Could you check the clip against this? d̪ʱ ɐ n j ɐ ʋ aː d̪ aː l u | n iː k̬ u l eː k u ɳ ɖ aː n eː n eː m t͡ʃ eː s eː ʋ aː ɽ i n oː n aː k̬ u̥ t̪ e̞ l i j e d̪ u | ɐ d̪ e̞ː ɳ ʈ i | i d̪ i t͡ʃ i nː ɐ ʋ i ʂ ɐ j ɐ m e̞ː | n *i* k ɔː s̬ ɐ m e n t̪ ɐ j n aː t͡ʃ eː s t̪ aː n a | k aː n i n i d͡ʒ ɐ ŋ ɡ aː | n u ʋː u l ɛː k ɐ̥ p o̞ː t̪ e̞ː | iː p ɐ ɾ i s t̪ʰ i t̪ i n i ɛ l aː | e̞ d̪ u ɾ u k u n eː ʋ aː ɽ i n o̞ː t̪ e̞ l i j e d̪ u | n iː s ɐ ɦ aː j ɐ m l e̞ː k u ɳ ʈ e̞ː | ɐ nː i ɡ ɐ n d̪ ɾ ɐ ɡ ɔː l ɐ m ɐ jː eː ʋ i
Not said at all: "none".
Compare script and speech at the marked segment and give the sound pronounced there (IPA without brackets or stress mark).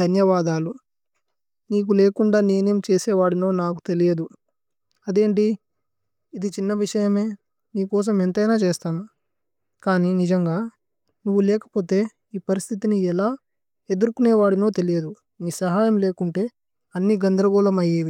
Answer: iː